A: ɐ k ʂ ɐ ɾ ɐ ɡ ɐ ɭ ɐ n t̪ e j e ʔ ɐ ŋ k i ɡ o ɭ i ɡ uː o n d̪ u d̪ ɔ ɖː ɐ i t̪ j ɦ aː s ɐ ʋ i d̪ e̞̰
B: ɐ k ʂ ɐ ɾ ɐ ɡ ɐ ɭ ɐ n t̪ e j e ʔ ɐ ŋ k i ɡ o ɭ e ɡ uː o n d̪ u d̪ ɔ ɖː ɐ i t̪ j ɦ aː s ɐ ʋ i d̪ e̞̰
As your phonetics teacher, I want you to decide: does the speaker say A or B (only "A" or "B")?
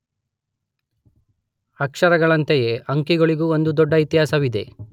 A